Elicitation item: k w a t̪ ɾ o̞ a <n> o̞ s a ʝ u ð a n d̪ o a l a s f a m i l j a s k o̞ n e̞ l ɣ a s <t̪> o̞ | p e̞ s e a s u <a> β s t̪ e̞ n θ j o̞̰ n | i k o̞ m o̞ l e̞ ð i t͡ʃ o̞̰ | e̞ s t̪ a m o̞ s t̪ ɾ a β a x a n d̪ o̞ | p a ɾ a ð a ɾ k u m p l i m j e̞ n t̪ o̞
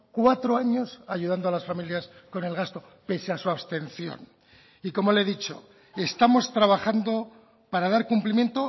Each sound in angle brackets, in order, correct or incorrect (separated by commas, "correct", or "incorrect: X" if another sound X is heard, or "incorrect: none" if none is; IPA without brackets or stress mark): incorrect: ɲ, correct, correct